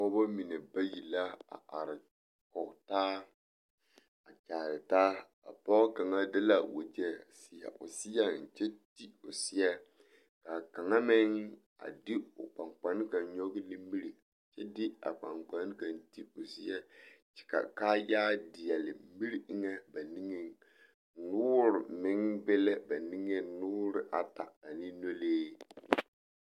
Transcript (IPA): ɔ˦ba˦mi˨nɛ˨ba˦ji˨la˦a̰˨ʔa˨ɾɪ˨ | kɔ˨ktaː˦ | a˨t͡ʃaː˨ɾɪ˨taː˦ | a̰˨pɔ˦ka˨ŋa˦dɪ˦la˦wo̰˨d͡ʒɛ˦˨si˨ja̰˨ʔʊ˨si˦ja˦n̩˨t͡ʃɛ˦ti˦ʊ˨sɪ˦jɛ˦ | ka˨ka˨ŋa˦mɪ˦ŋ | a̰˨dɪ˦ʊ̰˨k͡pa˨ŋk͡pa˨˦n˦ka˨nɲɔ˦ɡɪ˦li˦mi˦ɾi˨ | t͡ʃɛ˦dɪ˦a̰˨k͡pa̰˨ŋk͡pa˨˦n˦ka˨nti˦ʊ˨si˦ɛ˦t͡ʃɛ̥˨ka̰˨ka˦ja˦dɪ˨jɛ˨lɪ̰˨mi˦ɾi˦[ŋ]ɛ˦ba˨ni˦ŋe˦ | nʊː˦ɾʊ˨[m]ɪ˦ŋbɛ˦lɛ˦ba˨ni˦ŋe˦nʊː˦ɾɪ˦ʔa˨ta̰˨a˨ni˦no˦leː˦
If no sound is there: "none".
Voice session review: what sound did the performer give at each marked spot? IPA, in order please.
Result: ŋ, m

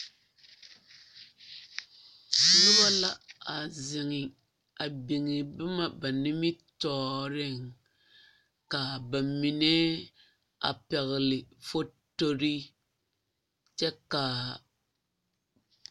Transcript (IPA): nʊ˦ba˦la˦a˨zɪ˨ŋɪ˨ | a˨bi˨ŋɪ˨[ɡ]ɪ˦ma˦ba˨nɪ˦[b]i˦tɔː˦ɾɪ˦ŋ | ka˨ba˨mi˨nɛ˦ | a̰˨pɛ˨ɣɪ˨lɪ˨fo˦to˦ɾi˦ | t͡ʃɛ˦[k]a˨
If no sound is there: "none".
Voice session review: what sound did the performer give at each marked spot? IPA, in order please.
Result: b, m, k

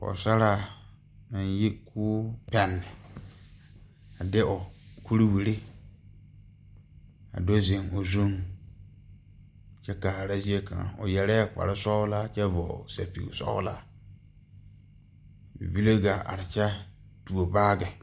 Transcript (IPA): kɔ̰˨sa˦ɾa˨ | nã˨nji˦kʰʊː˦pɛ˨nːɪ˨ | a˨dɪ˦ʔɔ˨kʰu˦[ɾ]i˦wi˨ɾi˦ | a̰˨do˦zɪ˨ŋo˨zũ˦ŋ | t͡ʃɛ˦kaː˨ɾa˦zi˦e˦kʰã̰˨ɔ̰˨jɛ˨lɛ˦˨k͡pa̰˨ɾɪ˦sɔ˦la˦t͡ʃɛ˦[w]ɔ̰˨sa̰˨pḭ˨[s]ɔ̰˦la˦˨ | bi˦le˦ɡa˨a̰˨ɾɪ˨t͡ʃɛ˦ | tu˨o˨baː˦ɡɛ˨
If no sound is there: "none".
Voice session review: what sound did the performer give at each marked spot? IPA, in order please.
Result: ɾ, v, s

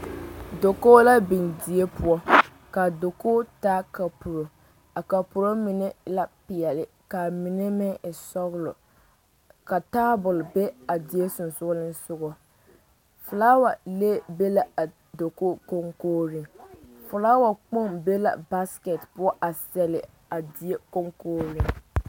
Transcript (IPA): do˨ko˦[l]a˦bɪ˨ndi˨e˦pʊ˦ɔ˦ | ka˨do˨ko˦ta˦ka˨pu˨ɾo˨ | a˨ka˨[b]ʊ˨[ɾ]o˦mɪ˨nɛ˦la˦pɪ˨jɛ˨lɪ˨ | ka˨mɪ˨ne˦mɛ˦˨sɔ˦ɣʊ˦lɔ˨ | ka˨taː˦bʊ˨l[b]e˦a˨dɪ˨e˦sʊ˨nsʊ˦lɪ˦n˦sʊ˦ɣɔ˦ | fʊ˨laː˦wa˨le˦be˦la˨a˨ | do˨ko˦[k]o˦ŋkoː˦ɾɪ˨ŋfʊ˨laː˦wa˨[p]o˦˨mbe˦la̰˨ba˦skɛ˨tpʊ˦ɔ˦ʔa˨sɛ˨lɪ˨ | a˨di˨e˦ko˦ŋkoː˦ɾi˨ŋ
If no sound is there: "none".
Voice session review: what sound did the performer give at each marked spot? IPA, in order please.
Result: l, p, ɾ, b, k, k͡p

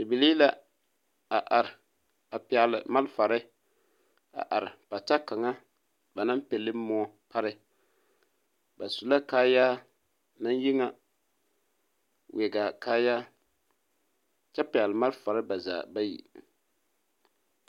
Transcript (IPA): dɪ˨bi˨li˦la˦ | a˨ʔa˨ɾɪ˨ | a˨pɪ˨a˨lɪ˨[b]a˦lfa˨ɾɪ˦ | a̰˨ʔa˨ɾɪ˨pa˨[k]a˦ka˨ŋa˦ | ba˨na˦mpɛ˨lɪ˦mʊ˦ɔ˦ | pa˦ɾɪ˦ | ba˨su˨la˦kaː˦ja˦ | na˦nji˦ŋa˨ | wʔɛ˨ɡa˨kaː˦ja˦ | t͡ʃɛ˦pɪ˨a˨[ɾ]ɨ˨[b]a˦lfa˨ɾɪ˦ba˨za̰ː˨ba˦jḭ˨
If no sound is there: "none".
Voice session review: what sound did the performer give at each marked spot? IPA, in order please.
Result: m, t, l, m

